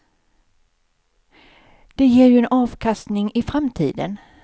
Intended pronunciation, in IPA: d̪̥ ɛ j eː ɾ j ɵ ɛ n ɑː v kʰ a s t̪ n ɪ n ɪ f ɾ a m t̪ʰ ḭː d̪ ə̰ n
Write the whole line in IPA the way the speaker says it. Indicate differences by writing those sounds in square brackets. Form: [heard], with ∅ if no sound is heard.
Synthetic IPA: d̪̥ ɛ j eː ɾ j ɵ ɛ n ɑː v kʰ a s t̪ n ɪ [ŋ] ɪ f ɾ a m t̪ʰ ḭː d̪ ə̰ n